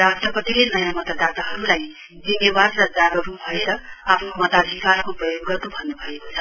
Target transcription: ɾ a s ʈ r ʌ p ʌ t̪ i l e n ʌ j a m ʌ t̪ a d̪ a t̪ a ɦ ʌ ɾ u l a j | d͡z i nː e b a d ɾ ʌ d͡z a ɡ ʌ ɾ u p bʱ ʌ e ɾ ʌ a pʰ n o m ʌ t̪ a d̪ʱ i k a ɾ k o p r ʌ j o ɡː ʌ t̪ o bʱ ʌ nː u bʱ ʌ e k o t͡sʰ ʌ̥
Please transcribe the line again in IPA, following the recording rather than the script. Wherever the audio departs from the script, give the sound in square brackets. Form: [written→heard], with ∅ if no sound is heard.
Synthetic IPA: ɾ a s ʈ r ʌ p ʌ t̪ i l e n ʌ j a m ʌ t̪ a d̪ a t̪ a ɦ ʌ ɾ u l a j | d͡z i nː e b a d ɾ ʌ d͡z a ɡ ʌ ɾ u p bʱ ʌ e ɾ ʌ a pʰ n o m ʌ t̪ a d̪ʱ i k a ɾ k o p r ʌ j o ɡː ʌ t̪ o bʱ ʌ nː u bʱ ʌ e k o t͡sʰ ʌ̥